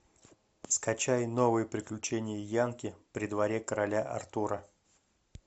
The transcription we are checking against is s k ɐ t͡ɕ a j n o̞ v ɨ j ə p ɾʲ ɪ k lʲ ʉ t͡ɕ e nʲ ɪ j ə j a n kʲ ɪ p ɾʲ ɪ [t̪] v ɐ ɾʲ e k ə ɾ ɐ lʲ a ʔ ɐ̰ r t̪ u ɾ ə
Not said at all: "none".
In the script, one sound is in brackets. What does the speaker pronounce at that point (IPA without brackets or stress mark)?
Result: d̪